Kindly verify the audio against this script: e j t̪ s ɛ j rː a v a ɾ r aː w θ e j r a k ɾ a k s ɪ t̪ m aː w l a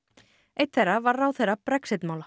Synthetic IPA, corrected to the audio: e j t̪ θ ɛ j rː a v a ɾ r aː w θ e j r a p ɾ ɛ k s ɪ t̪ m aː w l a